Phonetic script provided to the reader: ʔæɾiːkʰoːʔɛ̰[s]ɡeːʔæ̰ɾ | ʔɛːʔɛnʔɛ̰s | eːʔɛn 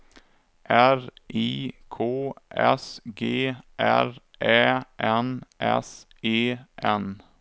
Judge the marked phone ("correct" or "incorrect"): correct